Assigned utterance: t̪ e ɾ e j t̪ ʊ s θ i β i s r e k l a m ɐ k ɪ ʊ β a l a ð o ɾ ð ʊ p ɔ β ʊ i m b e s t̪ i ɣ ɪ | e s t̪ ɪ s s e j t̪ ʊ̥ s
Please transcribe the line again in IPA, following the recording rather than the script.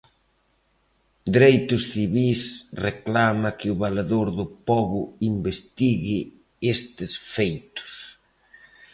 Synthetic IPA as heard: d̪ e ɾ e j t̪ ʊ s θ i β i s r e k l a m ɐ k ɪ ʊ β a l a ð o ɾ ð ʊ p ɔ β ʊ i m b e s t̪ i ɣ ɪ | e s t̪ ɪ s f e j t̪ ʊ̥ s